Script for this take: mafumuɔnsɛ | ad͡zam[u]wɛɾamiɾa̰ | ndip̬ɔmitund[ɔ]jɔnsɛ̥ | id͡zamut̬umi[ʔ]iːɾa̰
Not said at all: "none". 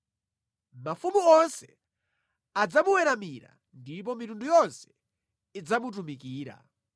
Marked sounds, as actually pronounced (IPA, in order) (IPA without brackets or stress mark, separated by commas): u, u, k